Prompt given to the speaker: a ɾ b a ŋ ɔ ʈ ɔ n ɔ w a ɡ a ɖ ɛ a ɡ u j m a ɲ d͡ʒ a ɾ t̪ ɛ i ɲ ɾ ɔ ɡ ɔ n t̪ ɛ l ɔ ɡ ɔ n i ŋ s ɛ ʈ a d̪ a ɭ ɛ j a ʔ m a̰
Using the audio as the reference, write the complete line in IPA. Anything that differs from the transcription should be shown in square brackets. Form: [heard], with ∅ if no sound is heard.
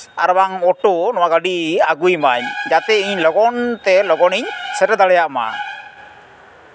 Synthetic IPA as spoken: a ɾ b a ŋ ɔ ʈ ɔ n ɔ w a ɡ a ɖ [i] a ɡ u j m a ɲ d͡ʒ a [∅] t̪ ɛ i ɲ [l] ɔ ɡ ɔ n t̪ ɛ l ɔ ɡ ɔ n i [ɲ] s ɛ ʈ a d̪ a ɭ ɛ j a ʔ m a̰